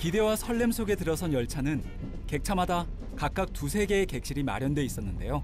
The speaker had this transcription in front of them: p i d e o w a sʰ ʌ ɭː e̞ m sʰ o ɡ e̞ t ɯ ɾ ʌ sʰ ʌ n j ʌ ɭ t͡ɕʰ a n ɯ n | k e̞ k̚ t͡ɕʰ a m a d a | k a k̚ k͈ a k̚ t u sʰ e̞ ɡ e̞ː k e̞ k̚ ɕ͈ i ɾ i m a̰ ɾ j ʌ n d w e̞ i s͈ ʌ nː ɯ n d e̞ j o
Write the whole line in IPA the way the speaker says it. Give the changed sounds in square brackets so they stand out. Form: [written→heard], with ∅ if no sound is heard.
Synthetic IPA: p i d e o w a sʰ ʌ ɭː e̞ m sʰ o ɡ e̞ t ɯ ɾ ʌ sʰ ʌ n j ʌ ɭ t͡ɕʰ a n ɯ n | k e̞ k̚ t͡ɕʰ a m a d a | k a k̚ k͈ a k̚ t u sʰ e̞ ɡ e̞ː k e̞ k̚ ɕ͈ i ɾ i m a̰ ɾ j ʌ n d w e̞ i s͈ ʌ nː ɯ n d e̞ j o

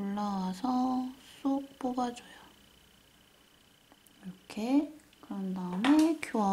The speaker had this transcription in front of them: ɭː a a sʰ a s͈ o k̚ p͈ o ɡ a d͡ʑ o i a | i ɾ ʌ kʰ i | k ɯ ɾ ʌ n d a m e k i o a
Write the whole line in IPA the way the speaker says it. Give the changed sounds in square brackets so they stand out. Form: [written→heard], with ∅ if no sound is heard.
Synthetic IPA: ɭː a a sʰ [a→ʌ] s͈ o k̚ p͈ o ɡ a d͡ʑ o [i→j] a | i ɾ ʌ kʰ [i→e] | k ɯ ɾ ʌ n d a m e k [i→j] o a

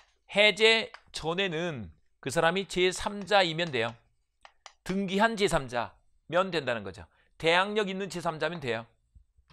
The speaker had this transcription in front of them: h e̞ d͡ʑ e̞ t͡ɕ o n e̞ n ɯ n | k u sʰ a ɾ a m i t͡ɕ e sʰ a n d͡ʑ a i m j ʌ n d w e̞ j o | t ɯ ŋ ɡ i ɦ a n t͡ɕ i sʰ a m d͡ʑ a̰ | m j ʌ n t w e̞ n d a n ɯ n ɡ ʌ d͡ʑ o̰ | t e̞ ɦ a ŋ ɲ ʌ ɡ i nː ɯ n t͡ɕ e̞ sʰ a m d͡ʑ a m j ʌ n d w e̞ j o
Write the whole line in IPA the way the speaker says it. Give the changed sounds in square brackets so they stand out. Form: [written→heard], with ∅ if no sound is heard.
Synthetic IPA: h e̞ d͡ʑ e̞ t͡ɕ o n e̞ n ɯ n | k [u→ɯ] sʰ a ɾ a m i t͡ɕ e sʰ a [n→m] d͡ʑ a i m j ʌ n d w e̞ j o | t ɯ ŋ ɡ i ɦ a n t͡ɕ [i→e] sʰ a m d͡ʑ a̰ | m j ʌ n [t→d] w e̞ n d a n ɯ n ɡ ʌ d͡ʑ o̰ | t e̞ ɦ a ŋ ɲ ʌ ɡ i nː ɯ n t͡ɕ e̞ sʰ a m d͡ʑ a m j ʌ n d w e̞ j o

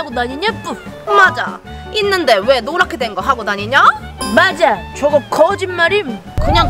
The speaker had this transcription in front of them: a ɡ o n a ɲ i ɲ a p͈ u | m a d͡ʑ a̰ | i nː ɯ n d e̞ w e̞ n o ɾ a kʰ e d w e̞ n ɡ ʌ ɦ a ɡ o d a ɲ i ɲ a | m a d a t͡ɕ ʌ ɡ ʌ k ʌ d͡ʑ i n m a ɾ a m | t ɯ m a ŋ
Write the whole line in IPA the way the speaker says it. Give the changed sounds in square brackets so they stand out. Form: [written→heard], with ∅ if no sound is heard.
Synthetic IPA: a ɡ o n a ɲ i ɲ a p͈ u | m a d͡ʑ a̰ | i nː ɯ n d e̞ w e̞ n o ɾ a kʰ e d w e̞ n ɡ ʌ ɦ a ɡ o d a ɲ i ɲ a | m a [d→d͡ʑ] a t͡ɕ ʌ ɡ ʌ k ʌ d͡ʑ i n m a ɾ [a→i] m | [t→k] ɯ [m→ɲ] a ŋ

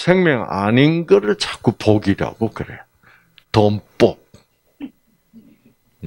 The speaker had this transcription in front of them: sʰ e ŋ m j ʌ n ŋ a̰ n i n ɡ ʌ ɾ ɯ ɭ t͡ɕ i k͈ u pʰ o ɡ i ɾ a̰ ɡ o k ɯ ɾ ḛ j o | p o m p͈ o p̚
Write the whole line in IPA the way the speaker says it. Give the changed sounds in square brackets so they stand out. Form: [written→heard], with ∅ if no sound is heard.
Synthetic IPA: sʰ e ŋ m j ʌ [n→∅] ŋ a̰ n i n ɡ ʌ ɾ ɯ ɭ t͡ɕ [i→a] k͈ u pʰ o ɡ i ɾ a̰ ɡ o k ɯ ɾ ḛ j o | [p→t] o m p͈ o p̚

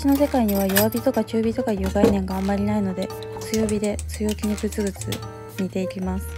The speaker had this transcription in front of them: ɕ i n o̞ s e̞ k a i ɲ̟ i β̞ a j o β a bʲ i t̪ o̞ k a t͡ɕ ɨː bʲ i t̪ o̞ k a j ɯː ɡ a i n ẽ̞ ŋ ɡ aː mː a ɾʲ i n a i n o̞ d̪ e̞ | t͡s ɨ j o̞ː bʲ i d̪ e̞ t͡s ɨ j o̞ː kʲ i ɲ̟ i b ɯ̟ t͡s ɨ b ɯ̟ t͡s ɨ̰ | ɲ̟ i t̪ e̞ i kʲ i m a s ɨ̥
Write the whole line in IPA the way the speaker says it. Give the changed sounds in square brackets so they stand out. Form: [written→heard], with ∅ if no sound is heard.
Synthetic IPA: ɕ i n o̞ s e̞ k a i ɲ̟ i β̞ a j o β a bʲ i t̪ o̞ k a t͡ɕ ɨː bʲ i t̪ o̞ k a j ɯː ɡ a i n ẽ̞ ŋ ɡ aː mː a ɾʲ i n a i n o̞ d̪ e̞ | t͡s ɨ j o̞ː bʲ i d̪ e̞ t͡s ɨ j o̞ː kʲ i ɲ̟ i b ɯ̟ t͡s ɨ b ɯ̟ t͡s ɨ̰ | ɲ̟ i t̪ e̞ i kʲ i m a s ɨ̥

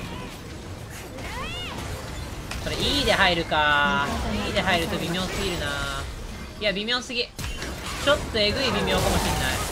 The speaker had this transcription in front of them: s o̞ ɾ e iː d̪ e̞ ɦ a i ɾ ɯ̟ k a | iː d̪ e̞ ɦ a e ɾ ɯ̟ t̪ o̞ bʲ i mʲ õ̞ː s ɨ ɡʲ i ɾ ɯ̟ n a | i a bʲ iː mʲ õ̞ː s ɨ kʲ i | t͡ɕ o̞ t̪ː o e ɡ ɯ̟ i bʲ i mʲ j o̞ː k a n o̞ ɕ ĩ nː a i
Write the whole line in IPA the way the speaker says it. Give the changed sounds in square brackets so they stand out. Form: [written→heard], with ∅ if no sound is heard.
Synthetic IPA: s o̞ ɾ e iː d̪ e̞ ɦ a i ɾ ɯ̟ k a | iː d̪ e̞ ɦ a [e→i] ɾ ɯ̟ t̪ o̞ bʲ i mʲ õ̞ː s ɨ ɡʲ i ɾ ɯ̟ n a | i a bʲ [iː→i] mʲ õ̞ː s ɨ [kʲ→ɡʲ] i | t͡ɕ o̞ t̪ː o e ɡ ɯ̟ i bʲ i mʲ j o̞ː k a [n→m] o̞ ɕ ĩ nː a i

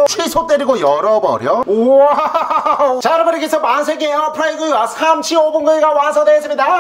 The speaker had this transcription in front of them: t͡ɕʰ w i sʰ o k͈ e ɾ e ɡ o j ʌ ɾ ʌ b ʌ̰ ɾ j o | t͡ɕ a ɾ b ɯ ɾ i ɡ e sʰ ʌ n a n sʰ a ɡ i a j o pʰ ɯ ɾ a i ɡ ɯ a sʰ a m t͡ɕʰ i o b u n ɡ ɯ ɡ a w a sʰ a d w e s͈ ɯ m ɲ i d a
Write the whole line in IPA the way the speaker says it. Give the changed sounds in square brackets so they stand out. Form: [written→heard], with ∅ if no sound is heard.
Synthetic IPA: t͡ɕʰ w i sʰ o [k͈→t͈] e ɾ [e→i] ɡ o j ʌ ɾ ʌ b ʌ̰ ɾ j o | t͡ɕ a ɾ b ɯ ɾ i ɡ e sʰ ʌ [n→m] a n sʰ [a→e] ɡ i [a→e] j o pʰ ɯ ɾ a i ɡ ɯ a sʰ a m t͡ɕʰ i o b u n ɡ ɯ ɡ a w a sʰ [a→ʌ] d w e s͈ ɯ m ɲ i d a

